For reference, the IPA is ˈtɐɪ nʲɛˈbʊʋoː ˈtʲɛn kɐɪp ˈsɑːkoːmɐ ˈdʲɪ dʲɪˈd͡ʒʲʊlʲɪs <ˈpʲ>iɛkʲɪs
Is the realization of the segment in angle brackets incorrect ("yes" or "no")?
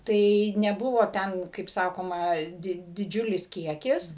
yes